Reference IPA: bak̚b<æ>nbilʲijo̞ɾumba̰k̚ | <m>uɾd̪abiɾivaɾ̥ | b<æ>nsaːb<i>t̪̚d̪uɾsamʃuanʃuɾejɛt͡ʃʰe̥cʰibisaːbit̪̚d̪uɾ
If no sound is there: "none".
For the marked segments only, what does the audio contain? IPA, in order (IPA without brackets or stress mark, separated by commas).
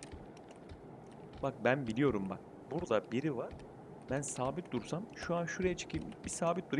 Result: æ, b, æ, i